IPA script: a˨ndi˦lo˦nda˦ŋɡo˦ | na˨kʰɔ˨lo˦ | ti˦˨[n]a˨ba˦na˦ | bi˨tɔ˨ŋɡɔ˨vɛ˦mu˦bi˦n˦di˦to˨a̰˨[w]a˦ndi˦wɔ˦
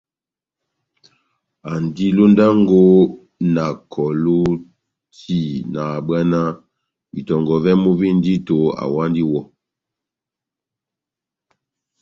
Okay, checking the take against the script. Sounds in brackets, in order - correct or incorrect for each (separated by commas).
correct, correct